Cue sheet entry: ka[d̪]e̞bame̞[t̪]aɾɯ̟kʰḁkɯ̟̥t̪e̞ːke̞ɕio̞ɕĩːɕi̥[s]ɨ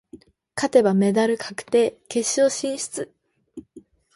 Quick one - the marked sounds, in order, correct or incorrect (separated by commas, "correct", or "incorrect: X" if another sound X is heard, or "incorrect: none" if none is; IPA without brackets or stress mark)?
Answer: incorrect: t̪, incorrect: d̪, incorrect: t͡s